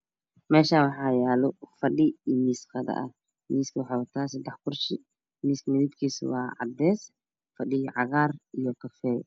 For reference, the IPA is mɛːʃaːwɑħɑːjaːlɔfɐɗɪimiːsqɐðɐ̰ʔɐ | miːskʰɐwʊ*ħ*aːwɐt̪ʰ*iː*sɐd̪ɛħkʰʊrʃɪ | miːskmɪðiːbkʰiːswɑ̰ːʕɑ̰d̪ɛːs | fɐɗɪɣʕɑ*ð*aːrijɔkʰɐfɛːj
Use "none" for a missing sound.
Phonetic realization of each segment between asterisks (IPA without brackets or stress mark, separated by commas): ħ, aː, ɣ